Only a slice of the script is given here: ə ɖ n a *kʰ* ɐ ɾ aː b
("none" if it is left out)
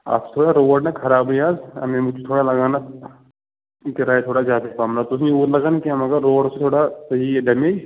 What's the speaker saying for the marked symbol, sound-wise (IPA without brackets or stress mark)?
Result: kʰ